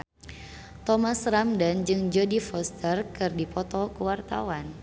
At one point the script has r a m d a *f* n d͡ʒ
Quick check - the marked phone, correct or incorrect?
incorrect